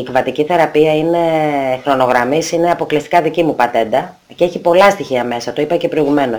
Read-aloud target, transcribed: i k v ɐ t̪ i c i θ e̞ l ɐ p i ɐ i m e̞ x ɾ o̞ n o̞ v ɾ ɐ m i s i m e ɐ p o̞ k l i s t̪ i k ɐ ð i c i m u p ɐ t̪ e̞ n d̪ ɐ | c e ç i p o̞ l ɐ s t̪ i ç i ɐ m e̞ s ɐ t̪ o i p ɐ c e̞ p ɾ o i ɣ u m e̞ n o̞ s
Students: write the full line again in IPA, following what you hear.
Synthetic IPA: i k v ɐ t̪ i c i θ e̞ ɾ ɐ p i ɐ i n e̞ x ɾ o̞ n o̞ ɣ ɾ ɐ m i s i n e ɐ p o̞ k l i s t̪ i k ɐ ð i c i m u p ɐ t̪ e̞ n d̪ ɐ | c e ç i p o̞ l ɐ s t̪ i ç i ɐ m e̞ s ɐ t̪ o i p ɐ c e̞ p ɾ o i ɣ u m e̞ n o̞ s